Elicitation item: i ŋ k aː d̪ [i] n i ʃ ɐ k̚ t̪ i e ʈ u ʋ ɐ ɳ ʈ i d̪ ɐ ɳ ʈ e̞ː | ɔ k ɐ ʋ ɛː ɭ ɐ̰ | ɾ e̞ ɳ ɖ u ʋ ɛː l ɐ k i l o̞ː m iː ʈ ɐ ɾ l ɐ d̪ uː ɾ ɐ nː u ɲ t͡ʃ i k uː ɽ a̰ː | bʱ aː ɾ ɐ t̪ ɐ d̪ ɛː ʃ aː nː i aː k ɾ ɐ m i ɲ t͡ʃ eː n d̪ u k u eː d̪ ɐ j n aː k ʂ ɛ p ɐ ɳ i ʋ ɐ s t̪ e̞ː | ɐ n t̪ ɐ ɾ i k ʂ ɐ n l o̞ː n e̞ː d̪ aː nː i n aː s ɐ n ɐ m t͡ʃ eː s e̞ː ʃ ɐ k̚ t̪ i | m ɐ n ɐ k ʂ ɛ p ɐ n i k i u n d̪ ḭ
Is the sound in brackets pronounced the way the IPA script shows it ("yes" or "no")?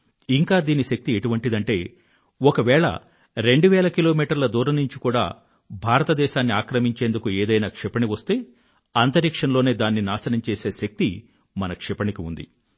no